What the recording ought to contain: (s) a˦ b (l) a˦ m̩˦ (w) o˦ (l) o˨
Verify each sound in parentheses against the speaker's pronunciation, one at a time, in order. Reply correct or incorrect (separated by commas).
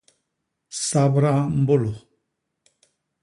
correct, incorrect, incorrect, correct